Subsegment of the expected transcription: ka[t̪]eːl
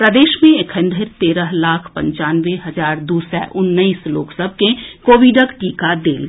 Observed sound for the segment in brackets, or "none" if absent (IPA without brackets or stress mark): d̪